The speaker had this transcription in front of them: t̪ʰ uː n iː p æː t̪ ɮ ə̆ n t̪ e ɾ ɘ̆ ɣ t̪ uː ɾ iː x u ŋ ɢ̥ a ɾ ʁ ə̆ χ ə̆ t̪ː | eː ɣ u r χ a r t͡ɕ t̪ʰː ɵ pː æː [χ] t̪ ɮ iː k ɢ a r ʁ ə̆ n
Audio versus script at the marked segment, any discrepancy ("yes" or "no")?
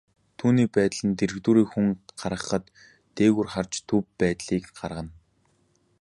yes